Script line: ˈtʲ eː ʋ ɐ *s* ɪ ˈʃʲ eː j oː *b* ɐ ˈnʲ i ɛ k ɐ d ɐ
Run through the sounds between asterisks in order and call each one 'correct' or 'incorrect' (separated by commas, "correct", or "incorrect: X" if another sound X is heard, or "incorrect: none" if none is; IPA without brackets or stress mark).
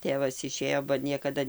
correct, correct